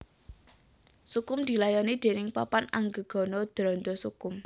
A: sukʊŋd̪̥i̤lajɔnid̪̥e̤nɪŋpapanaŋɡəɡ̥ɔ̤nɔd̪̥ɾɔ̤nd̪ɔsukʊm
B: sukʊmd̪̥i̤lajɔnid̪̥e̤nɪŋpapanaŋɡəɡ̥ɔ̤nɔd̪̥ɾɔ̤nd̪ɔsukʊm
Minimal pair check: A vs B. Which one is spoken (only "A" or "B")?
B